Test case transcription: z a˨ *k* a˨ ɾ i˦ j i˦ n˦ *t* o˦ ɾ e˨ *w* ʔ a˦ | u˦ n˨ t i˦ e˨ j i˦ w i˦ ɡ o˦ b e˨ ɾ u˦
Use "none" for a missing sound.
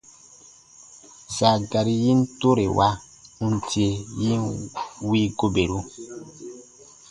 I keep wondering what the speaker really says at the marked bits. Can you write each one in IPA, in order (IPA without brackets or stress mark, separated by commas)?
ɡ, t, w